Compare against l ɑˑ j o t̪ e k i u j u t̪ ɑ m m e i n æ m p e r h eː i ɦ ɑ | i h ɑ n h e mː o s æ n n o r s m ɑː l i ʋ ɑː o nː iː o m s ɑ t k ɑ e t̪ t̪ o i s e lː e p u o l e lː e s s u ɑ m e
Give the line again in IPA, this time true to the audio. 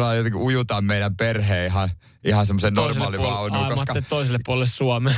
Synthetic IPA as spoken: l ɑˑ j o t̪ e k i u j u t̪ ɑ m m e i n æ m p e r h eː i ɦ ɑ | i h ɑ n s e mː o s e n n o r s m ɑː l i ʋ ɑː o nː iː o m s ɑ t k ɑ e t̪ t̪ o i s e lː e p u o l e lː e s s u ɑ m e